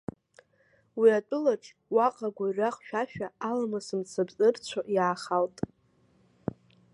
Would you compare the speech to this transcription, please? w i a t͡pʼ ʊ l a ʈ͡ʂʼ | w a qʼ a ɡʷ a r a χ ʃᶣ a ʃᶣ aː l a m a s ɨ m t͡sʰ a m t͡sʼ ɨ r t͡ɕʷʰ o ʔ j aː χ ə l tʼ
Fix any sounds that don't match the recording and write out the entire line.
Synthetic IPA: w i a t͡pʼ ʊ l a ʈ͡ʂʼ | w a qʼ a ɡʷ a r a χ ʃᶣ a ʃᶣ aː l a m a s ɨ m t͡sʰ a b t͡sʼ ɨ r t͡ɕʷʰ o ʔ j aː χ a l tʼ